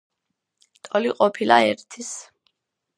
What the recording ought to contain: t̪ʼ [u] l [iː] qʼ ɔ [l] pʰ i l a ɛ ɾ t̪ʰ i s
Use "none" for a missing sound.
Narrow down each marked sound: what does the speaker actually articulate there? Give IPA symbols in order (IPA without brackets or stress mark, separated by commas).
ɔ, i, none